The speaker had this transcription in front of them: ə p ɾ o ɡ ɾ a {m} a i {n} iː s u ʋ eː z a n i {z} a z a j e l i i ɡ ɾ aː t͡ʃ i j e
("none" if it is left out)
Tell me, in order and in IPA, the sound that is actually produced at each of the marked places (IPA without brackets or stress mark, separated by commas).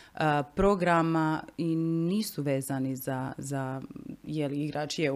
m, n, z